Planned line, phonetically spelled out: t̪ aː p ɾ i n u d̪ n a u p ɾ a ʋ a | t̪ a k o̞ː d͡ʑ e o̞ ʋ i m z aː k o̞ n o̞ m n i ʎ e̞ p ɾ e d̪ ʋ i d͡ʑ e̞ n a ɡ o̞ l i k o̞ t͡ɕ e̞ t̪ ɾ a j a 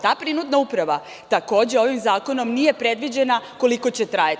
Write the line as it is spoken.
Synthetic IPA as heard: t̪ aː p ɾ i n u d̪ n a u p ɾ a ʋ a | t̪ a k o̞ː d͡ʑ e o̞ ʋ i m z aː k o̞ n o̞ m n i j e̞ p ɾ e d̪ ʋ i d͡ʑ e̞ n a k o̞ l i k o̞ t͡ɕ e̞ t̪ ɾ a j a